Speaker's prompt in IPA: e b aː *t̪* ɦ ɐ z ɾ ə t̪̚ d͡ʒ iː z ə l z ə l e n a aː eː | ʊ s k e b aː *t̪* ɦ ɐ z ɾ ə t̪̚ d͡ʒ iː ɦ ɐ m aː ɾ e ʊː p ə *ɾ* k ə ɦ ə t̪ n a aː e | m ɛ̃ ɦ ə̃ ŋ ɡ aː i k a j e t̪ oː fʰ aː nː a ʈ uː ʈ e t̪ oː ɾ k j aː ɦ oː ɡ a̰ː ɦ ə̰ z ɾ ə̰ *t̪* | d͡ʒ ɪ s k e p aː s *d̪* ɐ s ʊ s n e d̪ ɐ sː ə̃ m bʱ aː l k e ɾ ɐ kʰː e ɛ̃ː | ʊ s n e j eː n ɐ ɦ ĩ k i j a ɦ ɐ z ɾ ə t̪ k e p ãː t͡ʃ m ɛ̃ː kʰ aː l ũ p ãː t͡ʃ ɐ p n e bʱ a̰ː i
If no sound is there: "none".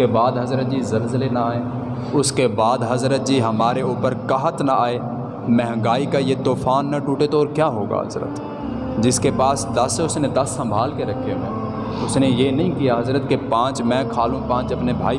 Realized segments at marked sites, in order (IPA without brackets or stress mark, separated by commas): d̪, d̪, ɾ, t̪, d̪